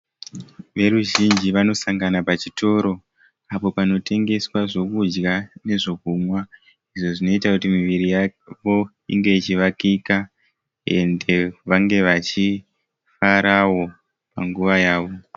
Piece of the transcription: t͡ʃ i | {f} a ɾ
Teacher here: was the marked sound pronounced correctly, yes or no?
yes